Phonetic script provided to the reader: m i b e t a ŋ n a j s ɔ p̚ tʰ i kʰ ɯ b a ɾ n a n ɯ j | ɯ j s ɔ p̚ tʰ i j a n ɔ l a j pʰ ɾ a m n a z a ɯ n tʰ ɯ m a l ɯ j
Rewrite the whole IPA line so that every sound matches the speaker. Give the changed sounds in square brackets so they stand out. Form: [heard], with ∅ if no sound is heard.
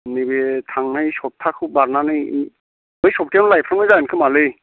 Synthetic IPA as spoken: [n] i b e [tʰ] a ŋ n a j s ɔ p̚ tʰ [a] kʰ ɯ b a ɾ n a n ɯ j | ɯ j s ɔ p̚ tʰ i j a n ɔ l a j pʰ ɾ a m n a z a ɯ n [kʰ] ɯ m a l ɯ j